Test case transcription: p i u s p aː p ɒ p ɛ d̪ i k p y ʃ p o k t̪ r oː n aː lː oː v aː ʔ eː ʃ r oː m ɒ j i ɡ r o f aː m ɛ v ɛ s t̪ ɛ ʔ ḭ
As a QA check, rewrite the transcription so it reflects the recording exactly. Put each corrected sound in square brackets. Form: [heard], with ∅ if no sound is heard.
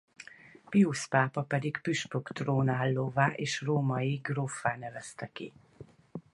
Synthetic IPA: p i u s p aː p ɒ p ɛ d̪ i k p y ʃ p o k t̪ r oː n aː lː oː v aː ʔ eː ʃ r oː m ɒ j i ɡ r o f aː [n] ɛ v ɛ s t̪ ɛ [k] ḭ